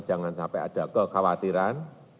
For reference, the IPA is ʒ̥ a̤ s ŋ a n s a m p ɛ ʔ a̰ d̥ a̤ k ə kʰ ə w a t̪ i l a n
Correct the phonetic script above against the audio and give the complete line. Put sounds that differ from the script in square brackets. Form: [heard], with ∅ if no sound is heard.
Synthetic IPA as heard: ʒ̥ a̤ [∅] ŋ a n s a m p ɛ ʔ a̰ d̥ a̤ k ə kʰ [a] w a t̪ i [ɾ] a n